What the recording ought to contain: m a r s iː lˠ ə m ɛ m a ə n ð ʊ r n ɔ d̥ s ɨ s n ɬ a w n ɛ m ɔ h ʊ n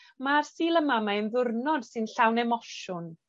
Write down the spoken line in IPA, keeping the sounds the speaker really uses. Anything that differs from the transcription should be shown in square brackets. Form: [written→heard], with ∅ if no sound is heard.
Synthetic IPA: m a r s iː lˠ ə m [ɛ→a] m a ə n ð ʊ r n ɔ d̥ s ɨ [s→∅] n ɬ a w n ɛ m ɔ [h→ʃ] ʊ n